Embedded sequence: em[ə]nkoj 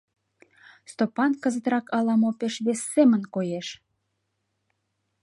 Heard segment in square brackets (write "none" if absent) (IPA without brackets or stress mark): ə